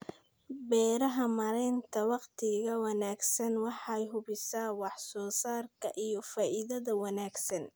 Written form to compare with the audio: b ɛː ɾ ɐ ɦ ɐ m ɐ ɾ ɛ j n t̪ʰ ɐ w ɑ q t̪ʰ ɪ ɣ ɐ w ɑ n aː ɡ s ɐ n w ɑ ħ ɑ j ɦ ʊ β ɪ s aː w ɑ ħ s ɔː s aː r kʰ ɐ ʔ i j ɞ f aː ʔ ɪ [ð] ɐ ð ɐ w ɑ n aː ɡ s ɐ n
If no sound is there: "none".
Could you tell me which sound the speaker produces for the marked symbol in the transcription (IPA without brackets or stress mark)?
ð